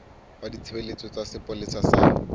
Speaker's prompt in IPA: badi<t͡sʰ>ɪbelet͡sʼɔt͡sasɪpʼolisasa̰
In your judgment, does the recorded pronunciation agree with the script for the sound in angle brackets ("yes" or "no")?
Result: yes